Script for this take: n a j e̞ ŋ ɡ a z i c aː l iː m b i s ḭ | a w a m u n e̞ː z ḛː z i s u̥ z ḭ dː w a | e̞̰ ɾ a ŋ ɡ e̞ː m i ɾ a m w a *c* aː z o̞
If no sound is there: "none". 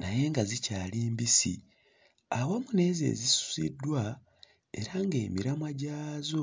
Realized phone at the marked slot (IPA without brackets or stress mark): ɟ